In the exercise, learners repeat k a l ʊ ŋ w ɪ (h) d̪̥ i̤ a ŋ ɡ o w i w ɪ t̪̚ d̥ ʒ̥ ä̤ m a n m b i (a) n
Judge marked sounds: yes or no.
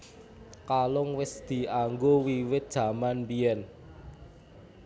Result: no, no

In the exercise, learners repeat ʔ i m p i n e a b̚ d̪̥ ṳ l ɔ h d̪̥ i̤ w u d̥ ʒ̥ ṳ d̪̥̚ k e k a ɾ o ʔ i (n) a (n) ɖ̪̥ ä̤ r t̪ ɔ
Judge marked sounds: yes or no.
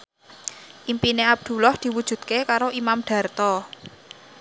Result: no, no

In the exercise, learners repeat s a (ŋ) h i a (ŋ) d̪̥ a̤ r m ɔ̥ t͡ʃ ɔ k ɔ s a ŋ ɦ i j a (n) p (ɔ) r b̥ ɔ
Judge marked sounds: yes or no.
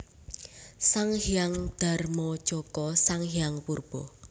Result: yes, yes, no, no

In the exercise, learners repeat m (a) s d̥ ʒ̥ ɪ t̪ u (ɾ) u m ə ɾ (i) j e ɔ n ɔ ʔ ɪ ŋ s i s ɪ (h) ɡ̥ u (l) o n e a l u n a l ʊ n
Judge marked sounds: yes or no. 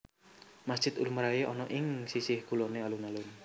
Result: yes, no, no, yes, yes

